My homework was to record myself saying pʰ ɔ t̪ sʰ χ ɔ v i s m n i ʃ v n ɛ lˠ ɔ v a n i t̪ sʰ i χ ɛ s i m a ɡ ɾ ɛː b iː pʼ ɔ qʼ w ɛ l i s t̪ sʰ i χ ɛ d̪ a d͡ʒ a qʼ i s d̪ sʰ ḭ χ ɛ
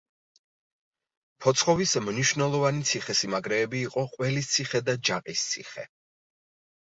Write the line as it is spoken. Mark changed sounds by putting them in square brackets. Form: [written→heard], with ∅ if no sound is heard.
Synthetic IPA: pʰ ɔ t̪ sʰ χ ɔ v i s m n i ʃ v n ɛ lˠ ɔ v a n i t̪ sʰ i χ ɛ s i m a ɡ ɾ ɛː b iː [pʼ→qʼ] ɔ qʼ w ɛ l i s t̪ sʰ i χ ɛ d̪ a d͡ʒ a qʼ i s [d̪→t̪] sʰ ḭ χ ɛ